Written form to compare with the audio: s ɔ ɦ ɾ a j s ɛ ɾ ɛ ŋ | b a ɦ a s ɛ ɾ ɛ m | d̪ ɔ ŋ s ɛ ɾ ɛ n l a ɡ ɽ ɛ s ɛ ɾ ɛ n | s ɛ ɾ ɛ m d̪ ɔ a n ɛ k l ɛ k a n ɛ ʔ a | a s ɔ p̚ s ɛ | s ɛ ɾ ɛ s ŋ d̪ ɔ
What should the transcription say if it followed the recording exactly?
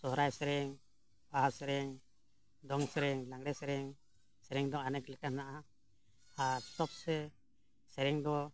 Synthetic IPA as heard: s ɔ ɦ ɾ a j s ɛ ɾ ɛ ŋ | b a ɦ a s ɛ ɾ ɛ ŋ | d̪ ɔ ŋ s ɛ ɾ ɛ ŋ l a ŋ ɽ ɛ s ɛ ɾ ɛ ŋ | s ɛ ɾ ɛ ŋ d̪ ɔ a n ɛ k l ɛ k a n a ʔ a | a s ɔ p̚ s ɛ | s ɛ ɾ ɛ ŋ d̪ ɔ

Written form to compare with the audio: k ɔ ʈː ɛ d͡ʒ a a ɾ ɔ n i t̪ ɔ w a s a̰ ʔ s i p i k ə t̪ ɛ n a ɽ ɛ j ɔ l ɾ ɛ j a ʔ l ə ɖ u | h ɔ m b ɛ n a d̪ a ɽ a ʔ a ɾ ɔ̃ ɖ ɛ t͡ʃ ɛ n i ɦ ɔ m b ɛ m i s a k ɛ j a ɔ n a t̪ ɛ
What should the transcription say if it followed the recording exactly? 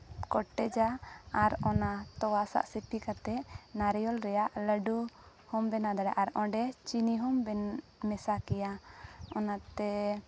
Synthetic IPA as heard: k ɔ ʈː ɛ d͡ʒ a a ɾ ɔ n a t̪ ɔ w a s a̰ ʔ s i p i k a t̪ ɛ n a ɾ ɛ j ɔ l ɾ ɛ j a ʔ l ə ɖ u | h ɔ m b ɛ n a d̪ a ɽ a ʔ a ɾ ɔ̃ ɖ ɛ t͡ʃ i n i ɦ ɔ m b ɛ m ɛ s a k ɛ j a ɔ n a t̪ ɛ

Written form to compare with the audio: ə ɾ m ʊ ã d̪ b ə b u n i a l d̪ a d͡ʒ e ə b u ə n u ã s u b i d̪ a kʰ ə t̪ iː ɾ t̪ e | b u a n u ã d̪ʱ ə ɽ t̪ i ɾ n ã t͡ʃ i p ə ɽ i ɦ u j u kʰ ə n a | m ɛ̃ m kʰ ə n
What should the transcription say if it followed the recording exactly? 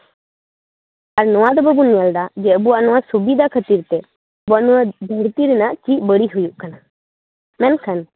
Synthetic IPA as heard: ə ɾ n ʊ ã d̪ b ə b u n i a l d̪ a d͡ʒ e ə b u a n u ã s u b i d̪ a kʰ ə t̪ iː ɾ t̪ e | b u a n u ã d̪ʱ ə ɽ t̪ i ɾ n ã t͡ʃ i b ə ɽ i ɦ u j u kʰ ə n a | m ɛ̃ n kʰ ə n

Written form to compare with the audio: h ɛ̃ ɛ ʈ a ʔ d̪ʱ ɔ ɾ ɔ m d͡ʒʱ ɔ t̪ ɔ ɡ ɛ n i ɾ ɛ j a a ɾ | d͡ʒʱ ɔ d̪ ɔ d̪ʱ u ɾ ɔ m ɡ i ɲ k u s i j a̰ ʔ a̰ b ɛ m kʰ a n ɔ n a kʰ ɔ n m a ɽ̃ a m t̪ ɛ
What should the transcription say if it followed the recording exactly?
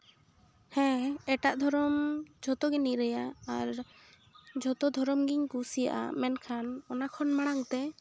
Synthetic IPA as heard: h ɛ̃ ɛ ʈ a ʔ d̪ʱ ɔ ɾ ɔ m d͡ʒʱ ɔ t̪ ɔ ɡ ɛ n i ɾ ɛ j a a ɾ | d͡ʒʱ ɔ t̪ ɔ d̪ʱ ɔ ɾ ɔ m ɡ i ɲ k u s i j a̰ ʔ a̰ m ɛ n kʰ a n ɔ n a kʰ ɔ n m a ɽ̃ a ŋ t̪ ɛ

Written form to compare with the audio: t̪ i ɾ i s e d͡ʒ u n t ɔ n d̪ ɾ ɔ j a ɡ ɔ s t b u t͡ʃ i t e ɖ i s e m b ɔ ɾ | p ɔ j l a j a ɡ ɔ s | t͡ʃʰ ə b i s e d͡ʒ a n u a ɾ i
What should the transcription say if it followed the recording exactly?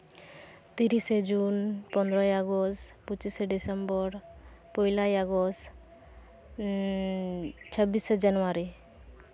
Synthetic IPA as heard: t̪ i ɾ i s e d͡ʒ u n p ɔ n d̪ ɾ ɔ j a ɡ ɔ s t p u t͡ʃ i s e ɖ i s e m b ɔ ɾ | p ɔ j l a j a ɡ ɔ s | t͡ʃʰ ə b i s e d͡ʒ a n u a ɾ i

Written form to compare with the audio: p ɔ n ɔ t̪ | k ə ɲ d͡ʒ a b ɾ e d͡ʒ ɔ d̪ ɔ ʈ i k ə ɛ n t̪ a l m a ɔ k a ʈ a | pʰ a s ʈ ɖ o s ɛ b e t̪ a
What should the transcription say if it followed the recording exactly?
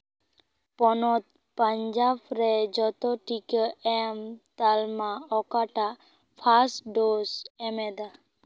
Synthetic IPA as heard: p ɔ n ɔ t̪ | p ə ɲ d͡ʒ a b ɾ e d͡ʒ ɔ t̪ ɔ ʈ i k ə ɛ m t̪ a l m a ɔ k a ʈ a | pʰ a s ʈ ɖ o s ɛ m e d̪ a

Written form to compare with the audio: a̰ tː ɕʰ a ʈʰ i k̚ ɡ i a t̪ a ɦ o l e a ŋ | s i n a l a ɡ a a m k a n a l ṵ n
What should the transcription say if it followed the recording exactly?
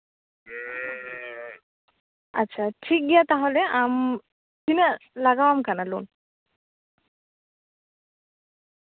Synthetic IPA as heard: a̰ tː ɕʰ a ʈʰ i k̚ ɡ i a t̪ a ɦ o l e a m | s i n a l a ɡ a a m k a n a l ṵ n

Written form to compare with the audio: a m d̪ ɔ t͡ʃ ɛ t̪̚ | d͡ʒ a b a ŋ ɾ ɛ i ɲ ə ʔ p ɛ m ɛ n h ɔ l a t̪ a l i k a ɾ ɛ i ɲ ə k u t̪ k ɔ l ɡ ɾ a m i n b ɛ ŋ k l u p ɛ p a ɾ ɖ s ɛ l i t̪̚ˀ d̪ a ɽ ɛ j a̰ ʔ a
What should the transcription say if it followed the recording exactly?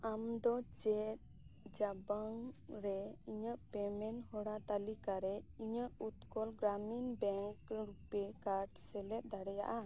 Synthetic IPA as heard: a m d̪ ɔ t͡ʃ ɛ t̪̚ | d͡ʒ a b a ŋ ɾ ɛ i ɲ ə ʔ p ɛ m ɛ n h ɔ ɽ a t̪ a l i k a ɾ ɛ i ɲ ə ʔ u t̪ k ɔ l ɡ ɾ a m i n b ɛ ŋ k ɾ u p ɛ k a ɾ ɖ s ɛ l ɛ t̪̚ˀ d̪ a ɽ ɛ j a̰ ʔ a

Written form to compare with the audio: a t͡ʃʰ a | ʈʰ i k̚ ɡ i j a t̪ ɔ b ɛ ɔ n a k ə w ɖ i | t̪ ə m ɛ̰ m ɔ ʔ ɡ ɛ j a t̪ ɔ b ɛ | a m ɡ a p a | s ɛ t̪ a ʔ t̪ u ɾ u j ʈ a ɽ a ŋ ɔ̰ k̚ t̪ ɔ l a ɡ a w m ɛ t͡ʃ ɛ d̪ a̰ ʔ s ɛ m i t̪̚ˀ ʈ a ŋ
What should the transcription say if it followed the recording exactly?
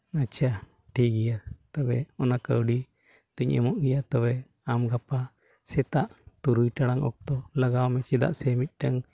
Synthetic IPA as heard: a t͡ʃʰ a | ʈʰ i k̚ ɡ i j a t̪ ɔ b ɛ ɔ n a k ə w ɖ i | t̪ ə ɲ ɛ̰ m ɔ ʔ ɡ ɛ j a t̪ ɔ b ɛ | a m ɡ a p a | s ɛ t̪ a ʔ t̪ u ɾ u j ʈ a ɽ a ŋ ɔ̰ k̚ t̪ ɔ l a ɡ a w m ɛ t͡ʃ ɛ d̪ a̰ ʔ s ɛ m i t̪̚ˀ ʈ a ŋ

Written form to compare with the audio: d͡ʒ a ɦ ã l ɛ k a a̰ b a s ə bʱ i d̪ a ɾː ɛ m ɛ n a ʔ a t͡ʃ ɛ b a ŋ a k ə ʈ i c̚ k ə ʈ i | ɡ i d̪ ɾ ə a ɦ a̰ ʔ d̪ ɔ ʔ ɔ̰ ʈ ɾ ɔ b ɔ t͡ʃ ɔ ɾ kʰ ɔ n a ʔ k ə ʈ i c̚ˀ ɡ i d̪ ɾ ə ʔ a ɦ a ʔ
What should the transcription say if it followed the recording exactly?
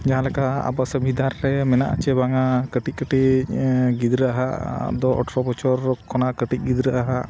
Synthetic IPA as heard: d͡ʒ a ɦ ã l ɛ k a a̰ b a s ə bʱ i d̪ a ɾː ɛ m ɛ n a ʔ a t͡ʃ ɛ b a ŋ a k ə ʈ i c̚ k ə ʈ i | ɡ i d̪ ɾ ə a ɦ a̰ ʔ d̪ ɔ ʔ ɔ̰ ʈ ɾ ɔ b ɔ t͡ʃ ɔ ɾ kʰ ɔ n a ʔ k ə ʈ i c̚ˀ ɡ i d̪ ɾ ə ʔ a ɦ a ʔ

